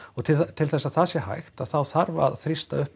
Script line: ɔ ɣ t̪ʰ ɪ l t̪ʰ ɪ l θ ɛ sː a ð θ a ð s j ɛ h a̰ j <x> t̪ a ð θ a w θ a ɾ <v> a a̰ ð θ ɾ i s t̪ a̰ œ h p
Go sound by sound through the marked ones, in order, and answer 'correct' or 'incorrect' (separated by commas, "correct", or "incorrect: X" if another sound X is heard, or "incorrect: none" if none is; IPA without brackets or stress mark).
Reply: correct, correct